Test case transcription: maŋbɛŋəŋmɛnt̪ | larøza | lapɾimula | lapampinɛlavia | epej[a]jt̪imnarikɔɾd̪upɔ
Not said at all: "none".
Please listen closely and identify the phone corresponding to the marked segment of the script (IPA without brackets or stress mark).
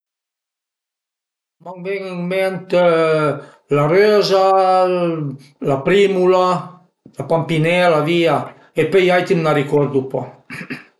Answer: a